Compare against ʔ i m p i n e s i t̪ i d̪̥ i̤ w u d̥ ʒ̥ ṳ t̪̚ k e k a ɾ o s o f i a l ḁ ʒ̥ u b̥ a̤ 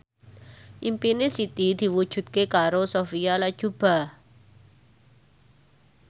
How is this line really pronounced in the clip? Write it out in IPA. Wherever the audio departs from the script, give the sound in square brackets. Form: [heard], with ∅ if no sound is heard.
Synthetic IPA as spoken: ʔ i m p i n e s i t̪ i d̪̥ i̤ w u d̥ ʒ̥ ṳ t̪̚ k e k a ɾ o s o f i a l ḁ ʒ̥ u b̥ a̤